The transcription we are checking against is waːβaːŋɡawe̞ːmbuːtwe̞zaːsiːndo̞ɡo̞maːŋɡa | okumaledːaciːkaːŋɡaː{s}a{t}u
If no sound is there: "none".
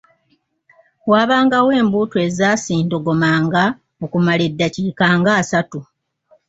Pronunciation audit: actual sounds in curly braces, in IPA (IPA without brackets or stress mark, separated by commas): s, t